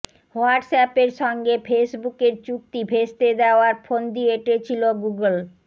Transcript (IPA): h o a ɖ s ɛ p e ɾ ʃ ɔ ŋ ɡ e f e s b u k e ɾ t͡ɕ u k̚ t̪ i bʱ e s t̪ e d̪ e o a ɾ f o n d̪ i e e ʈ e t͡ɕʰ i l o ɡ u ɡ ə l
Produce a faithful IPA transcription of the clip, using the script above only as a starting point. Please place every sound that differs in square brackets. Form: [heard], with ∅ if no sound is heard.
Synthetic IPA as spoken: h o a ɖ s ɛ p e ɾ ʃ ɔ ŋ ɡ e f e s b u k e ɾ t͡ɕ u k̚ t̪ i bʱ e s t̪ e d̪ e o a ɾ f o n d̪ i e e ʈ e t͡ɕʰ i l o ɡ u ɡ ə l